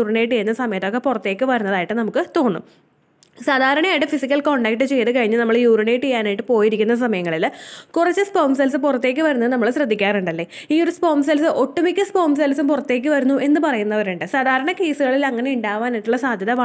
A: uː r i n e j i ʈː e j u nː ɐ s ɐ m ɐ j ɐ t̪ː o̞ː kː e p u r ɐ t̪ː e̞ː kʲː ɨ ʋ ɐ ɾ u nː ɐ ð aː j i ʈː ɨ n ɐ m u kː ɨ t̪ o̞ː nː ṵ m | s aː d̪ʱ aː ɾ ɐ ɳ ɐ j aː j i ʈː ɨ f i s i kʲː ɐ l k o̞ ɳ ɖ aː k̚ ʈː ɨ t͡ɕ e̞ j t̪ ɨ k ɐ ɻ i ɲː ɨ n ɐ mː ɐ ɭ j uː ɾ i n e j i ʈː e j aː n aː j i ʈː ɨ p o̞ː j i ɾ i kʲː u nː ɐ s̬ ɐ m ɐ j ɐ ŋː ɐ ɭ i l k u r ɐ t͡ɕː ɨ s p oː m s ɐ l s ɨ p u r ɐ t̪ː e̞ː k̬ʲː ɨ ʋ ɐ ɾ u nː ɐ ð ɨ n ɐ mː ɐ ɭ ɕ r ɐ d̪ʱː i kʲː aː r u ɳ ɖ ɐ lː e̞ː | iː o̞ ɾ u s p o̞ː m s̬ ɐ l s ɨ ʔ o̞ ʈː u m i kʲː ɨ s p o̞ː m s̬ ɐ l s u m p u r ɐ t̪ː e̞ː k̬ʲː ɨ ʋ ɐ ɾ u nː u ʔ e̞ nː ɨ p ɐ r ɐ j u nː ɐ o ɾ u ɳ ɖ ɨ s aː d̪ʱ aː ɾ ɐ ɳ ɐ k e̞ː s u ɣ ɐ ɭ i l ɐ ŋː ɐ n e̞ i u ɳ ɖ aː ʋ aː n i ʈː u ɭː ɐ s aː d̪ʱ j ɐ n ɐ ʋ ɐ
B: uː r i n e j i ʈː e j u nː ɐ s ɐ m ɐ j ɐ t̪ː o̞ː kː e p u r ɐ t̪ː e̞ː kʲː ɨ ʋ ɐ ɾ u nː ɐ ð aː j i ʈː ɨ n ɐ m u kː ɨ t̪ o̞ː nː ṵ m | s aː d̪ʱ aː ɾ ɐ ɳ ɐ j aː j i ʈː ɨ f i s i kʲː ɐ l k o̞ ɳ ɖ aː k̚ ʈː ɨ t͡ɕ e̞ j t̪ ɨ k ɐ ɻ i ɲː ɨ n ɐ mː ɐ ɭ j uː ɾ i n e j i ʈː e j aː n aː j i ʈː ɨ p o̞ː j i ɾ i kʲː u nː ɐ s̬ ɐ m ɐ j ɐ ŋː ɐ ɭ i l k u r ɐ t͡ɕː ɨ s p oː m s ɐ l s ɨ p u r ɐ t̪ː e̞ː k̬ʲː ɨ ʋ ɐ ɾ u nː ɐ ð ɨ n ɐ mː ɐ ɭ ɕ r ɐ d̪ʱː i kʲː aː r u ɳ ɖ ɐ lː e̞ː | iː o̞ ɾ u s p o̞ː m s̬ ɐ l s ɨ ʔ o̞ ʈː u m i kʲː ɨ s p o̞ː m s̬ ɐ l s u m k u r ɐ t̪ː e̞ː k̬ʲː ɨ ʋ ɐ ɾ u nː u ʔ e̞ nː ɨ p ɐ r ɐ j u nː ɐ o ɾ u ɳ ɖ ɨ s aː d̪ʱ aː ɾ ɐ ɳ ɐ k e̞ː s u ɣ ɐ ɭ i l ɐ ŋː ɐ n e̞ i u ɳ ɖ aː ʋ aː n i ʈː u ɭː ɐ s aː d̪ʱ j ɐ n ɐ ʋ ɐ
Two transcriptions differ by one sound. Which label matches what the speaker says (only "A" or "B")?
A